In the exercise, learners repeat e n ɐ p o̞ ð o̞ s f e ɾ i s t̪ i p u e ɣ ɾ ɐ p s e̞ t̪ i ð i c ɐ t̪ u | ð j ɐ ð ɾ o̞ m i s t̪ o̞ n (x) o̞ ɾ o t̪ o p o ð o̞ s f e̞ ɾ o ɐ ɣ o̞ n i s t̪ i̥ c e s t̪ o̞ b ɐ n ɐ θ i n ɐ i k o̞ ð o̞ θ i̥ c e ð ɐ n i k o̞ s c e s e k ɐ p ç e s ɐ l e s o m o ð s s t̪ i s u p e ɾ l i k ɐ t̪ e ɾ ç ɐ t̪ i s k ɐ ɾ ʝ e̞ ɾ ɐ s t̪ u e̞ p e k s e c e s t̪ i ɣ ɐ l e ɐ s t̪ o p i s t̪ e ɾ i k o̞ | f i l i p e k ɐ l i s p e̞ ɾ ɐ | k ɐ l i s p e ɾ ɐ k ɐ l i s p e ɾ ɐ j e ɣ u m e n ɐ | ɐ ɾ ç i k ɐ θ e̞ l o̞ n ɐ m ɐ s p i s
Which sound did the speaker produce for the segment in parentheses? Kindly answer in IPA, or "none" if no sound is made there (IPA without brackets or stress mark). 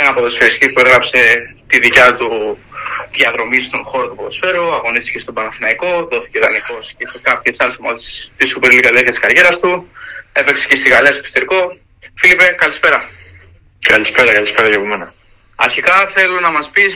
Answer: x